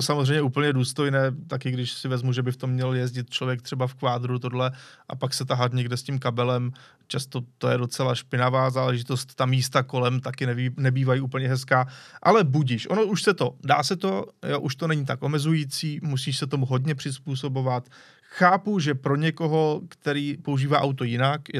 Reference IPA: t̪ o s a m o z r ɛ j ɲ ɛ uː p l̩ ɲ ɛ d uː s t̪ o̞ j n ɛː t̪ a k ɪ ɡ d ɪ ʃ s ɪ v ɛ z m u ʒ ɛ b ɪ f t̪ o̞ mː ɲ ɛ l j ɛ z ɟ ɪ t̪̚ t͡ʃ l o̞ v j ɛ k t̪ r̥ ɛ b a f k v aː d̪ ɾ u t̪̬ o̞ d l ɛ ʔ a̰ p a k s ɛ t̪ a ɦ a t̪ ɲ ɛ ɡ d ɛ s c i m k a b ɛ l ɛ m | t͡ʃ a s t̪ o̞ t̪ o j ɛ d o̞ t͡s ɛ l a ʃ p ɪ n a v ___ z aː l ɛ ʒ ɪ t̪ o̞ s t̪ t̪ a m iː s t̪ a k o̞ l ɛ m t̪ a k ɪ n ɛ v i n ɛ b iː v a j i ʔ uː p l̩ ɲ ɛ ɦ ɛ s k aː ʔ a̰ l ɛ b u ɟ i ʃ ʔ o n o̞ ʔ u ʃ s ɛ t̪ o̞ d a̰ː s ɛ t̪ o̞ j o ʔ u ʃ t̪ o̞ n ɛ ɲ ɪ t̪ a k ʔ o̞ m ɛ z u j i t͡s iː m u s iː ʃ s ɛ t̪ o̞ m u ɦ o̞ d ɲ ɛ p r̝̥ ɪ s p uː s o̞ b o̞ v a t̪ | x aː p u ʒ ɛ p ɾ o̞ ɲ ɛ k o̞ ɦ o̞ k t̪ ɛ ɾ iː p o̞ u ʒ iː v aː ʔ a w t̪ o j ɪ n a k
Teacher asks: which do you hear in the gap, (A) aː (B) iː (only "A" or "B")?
A